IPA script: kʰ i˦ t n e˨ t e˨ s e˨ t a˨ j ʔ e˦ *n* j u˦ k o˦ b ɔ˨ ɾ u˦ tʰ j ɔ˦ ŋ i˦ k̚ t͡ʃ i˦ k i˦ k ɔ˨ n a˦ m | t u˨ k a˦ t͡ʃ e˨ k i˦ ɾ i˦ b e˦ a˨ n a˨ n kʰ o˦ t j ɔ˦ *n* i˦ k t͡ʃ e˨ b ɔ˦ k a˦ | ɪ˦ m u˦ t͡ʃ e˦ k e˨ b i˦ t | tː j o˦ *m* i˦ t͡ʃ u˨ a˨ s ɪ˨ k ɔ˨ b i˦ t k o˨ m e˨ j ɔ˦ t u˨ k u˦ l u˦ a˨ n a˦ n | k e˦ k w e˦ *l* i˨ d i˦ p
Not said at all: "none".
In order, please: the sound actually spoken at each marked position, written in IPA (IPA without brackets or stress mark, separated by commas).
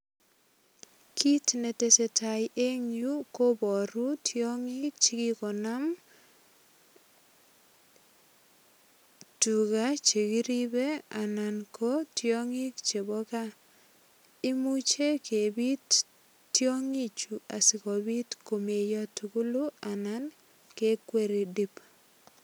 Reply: ŋ, ŋ, ŋ, ɾ